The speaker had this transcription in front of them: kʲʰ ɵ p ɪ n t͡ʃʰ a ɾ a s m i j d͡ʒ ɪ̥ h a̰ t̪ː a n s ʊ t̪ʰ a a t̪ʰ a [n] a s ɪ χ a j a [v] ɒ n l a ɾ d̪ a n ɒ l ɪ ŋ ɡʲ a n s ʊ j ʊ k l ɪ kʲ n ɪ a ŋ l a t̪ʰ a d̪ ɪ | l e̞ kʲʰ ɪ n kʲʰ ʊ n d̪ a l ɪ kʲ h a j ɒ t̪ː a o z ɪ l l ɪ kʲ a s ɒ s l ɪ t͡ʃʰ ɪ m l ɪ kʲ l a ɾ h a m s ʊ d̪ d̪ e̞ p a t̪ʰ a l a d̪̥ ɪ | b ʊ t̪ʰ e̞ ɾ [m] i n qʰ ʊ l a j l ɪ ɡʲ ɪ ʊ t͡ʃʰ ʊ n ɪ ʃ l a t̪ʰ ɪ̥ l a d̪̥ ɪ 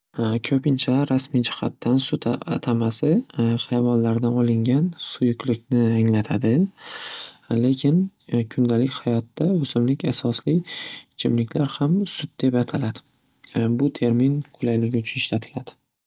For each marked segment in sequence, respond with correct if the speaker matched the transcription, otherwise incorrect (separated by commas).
incorrect, correct, correct